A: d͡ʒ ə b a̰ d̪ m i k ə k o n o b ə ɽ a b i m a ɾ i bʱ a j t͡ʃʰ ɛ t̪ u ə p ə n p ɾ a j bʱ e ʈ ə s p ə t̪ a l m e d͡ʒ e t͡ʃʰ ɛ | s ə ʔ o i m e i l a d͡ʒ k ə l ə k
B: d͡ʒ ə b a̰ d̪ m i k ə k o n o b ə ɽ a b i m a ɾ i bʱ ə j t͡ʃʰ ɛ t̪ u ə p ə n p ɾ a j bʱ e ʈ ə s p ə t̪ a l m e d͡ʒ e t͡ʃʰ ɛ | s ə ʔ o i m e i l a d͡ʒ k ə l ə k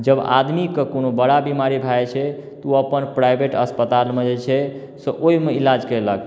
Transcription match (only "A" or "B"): A